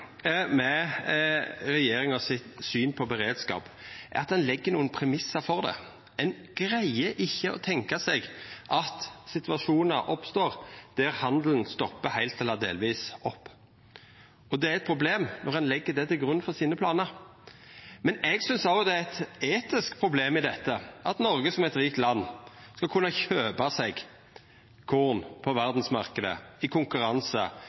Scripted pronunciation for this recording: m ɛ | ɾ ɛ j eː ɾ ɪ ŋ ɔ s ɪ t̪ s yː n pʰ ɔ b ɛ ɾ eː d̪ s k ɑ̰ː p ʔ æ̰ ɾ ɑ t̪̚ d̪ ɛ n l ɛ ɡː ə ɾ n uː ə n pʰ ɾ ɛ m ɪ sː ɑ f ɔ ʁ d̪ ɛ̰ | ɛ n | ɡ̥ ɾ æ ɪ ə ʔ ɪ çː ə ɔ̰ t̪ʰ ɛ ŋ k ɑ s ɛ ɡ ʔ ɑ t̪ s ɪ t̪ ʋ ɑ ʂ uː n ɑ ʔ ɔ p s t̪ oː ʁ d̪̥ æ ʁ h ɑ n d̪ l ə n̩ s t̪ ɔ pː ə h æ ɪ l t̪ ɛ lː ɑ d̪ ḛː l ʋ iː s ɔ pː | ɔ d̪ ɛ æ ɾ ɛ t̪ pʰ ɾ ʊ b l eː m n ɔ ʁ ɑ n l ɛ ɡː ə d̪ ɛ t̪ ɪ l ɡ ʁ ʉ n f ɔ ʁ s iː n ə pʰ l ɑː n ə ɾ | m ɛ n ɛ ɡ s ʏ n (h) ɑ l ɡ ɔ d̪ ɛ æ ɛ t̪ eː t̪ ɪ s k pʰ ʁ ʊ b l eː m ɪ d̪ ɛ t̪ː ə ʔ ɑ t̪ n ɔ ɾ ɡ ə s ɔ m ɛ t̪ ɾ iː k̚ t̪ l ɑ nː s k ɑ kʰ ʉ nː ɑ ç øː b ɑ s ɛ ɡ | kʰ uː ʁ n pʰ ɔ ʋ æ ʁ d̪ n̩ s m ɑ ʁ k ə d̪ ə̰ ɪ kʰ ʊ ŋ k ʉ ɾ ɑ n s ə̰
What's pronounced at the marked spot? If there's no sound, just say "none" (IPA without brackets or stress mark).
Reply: s